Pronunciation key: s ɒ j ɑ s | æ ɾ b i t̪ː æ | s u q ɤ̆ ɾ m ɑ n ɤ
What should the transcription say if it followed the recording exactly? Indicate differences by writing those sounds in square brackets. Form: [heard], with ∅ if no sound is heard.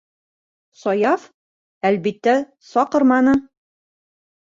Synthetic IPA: s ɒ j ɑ [f] | æ [l] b i t̪ː æ | s [ɒ] q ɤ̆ ɾ m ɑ n ɤ